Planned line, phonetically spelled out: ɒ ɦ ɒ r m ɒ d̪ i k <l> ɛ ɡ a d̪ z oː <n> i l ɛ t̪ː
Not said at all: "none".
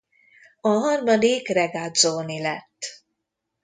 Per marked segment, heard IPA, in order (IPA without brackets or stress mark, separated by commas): r, n